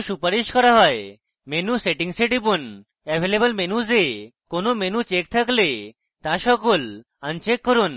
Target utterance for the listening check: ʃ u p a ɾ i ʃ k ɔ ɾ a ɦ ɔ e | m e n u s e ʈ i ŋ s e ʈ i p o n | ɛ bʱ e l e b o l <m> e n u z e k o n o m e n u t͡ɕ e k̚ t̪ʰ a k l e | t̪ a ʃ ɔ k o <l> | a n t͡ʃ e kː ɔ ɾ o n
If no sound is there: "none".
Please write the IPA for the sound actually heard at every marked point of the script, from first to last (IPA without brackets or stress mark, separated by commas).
m, l